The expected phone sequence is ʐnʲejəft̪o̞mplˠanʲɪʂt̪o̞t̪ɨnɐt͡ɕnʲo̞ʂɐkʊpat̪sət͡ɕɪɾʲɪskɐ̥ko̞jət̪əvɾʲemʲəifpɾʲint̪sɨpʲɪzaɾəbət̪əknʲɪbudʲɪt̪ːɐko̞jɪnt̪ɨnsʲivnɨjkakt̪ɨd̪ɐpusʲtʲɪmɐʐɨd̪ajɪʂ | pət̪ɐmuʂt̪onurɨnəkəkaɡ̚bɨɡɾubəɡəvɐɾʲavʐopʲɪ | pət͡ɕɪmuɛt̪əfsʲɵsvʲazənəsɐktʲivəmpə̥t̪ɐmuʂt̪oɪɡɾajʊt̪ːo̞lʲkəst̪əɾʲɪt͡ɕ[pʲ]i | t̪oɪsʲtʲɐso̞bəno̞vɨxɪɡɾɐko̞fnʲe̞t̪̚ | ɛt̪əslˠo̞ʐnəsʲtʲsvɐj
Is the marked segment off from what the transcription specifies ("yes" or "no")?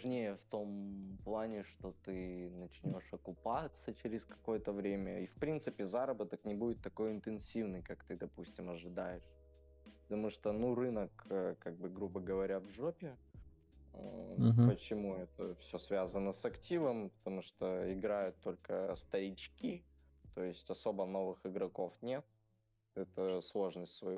yes